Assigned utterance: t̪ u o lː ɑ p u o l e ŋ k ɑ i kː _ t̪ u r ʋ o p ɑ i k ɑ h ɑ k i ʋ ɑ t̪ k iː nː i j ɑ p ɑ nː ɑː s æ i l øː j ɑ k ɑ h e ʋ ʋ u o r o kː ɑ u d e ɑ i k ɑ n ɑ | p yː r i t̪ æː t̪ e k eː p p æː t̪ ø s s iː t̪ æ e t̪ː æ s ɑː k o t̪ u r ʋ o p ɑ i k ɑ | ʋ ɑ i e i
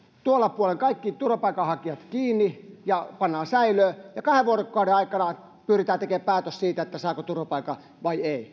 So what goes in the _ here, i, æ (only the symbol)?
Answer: i